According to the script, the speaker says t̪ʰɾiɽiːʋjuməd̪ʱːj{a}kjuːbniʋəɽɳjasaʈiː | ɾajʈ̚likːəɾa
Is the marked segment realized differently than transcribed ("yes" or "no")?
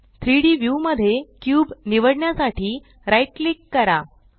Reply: yes